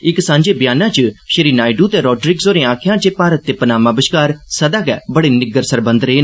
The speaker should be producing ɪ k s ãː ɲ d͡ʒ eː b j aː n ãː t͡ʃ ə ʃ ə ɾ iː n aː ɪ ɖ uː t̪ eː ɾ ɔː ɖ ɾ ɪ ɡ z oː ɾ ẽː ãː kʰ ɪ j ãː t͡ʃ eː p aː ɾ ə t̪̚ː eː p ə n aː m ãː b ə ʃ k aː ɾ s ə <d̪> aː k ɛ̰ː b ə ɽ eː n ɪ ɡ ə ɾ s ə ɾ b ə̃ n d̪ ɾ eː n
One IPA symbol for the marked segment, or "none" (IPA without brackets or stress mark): d̪